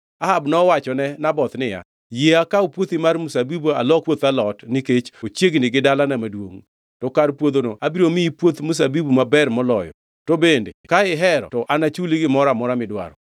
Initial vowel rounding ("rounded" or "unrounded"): unrounded